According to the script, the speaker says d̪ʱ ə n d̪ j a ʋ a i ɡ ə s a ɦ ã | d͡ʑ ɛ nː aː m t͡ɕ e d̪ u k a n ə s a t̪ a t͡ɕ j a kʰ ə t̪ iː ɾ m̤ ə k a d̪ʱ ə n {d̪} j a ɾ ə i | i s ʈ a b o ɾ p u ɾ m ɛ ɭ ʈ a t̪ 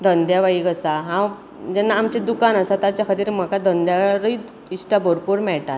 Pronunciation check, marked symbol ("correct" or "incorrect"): correct